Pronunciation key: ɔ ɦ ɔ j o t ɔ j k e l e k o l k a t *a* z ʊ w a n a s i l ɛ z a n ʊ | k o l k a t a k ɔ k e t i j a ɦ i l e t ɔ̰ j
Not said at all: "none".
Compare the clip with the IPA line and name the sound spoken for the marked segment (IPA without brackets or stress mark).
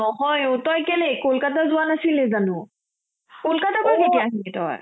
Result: a